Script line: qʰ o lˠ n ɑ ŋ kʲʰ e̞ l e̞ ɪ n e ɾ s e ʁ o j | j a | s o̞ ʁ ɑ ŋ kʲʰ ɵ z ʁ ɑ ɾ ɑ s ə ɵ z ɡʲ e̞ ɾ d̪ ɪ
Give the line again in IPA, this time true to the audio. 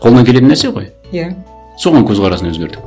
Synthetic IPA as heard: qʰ o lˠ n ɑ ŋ kʲ e̞ l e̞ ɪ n æ ɾ s e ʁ o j | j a | s o̞ ʁ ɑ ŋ kʲʰ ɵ z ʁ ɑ ɾ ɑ s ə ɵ z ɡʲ e̞ ɾ d̪ ɪ

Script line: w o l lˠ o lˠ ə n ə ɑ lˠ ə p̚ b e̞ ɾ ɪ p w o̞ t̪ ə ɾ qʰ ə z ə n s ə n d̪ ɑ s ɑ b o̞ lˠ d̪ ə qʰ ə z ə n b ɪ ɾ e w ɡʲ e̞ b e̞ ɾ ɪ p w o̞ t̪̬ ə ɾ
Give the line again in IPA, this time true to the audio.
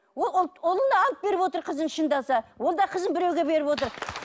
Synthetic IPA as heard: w o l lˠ o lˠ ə n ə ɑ lˠ ə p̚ b e̞ ɾ ɪ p w o̞ t̪ ə ɾ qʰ ə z ə n ʃ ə n d̪ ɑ s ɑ w o̞ lˠ d̪ ɑ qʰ ə z ə n b ɪ ɾ e w ɡʲ e̞ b e̞ ɾ ɪ p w o̞ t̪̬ ə ɾ

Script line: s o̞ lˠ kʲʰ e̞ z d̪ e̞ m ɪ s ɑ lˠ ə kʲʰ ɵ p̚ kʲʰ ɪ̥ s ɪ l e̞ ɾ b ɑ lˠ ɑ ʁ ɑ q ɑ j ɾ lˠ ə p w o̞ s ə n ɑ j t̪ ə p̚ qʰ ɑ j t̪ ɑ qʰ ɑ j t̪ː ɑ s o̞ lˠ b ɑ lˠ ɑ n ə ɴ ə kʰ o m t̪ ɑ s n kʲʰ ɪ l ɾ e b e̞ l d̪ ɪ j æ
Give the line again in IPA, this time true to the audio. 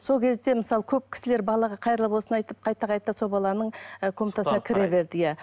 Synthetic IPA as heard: s o̞ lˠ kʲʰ e̞ z d̪ e̞ m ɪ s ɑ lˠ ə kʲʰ ɵ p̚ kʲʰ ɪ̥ s ɪ l e̞ ɾ b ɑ lˠ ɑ ʁ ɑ qʰ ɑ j ɾ lˠ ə p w o̞ s ə n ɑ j t̪ ə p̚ qʰ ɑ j t̪ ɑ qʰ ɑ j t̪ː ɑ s o̞ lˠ b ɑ lˠ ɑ n ə ɴ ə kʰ o m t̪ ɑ s n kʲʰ ɪ ɾ e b e̞ ɾ d̪ ɪ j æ

